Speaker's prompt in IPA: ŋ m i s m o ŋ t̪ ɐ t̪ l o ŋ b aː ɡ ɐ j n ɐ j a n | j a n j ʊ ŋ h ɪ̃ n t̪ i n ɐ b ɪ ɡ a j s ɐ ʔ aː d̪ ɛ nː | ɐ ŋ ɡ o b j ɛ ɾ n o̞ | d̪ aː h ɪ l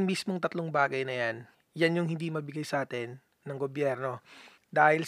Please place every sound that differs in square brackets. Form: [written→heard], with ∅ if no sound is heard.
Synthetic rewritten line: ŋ m i s m o ŋ t̪ ɐ t̪ l o ŋ b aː ɡ ɐ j n ɐ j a n | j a n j ʊ ŋ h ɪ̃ n [t̪→d̪] i [n→m] ɐ b ɪ ɡ a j s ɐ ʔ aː [d̪→t̪] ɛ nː | ɐ ŋ ɡ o b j ɛ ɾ n o̞ | d̪ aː h ɪ l